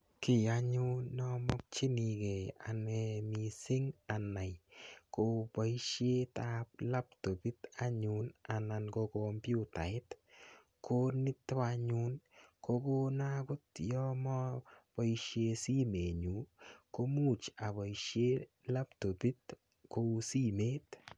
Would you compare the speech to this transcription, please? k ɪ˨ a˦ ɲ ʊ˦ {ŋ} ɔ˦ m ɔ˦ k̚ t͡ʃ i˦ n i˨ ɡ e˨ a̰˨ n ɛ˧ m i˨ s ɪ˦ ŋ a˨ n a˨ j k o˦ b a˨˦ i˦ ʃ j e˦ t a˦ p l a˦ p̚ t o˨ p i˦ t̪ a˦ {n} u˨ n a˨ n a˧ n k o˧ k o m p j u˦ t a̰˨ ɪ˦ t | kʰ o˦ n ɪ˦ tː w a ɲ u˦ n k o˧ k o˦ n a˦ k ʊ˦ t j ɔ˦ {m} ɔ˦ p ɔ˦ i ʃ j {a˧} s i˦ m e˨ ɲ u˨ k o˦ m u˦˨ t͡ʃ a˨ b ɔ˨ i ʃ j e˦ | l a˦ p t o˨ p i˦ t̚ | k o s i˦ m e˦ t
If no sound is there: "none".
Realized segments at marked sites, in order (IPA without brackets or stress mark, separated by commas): n, ɲ, m, e˧